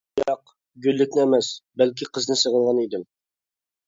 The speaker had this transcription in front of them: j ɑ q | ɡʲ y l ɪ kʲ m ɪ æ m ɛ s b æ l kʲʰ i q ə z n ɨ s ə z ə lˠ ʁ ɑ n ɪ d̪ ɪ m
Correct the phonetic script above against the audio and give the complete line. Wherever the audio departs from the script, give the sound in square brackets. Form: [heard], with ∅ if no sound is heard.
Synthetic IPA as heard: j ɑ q | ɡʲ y [lː] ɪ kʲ [n] ɪ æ m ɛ s b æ l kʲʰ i q ə z n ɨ s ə [ʁ] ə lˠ ʁ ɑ n [i] d̪ ɪ m